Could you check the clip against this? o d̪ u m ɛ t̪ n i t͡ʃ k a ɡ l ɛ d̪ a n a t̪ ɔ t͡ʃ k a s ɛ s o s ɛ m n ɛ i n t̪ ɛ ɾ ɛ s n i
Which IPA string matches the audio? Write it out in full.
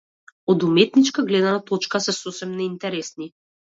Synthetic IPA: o d̪ u m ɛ t̪ n i t͡ʃ k a ɡ l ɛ d̪ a n a t̪ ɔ t͡ʃ k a s ɛ s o s ɛ m n ɛ i n t̪ ɛ ɾ ɛ s n i